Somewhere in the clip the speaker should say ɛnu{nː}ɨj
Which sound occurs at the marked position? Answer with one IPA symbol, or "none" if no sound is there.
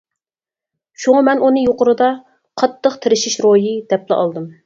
n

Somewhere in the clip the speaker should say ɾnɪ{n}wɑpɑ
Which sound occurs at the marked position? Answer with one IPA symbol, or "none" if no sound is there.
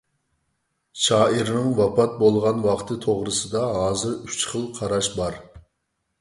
ŋ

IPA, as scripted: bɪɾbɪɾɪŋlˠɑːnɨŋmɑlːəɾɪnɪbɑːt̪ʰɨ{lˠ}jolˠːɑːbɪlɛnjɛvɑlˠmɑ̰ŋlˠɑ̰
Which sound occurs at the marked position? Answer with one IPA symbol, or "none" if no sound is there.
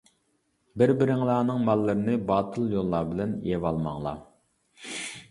lˠ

